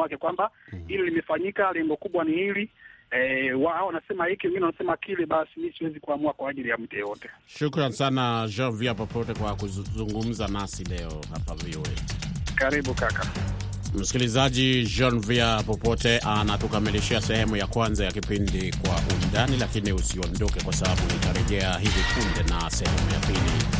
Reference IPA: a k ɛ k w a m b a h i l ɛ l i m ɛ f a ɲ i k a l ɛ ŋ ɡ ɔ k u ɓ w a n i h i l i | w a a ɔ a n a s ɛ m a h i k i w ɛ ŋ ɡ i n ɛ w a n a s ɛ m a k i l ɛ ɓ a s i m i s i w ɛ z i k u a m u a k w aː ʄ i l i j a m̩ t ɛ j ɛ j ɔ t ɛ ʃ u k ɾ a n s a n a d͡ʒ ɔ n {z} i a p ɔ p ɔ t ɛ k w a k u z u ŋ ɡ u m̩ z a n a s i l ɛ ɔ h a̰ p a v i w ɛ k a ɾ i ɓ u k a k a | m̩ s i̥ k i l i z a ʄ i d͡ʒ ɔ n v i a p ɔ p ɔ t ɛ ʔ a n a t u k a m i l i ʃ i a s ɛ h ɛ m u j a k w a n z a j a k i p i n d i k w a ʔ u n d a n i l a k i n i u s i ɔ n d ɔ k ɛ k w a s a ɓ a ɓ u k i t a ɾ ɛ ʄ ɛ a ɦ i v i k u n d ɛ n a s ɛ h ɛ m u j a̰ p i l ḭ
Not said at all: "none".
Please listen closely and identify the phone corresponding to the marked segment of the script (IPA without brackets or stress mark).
v